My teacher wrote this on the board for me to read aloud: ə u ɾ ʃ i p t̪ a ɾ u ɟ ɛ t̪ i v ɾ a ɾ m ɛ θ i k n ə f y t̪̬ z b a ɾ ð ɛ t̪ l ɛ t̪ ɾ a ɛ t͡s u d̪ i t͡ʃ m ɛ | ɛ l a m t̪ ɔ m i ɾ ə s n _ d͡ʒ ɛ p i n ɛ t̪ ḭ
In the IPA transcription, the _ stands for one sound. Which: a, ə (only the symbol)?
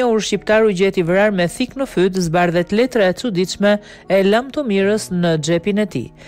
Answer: ə